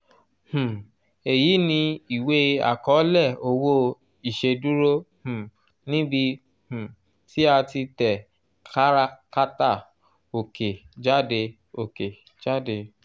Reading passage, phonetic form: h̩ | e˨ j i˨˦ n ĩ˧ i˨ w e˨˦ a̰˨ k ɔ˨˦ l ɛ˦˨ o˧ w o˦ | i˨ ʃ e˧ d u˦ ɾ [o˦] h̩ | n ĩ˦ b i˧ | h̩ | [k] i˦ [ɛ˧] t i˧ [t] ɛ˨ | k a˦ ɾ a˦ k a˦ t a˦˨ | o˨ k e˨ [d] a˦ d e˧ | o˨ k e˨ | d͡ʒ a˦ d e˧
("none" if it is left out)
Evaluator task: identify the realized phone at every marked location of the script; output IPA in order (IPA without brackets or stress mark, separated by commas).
o˦, t, a˧, t, d͡ʒ